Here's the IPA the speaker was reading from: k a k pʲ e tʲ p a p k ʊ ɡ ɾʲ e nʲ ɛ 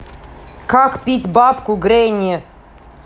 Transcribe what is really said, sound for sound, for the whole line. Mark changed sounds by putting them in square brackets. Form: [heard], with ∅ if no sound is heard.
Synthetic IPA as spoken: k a k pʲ [i] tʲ [b] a p k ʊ ɡ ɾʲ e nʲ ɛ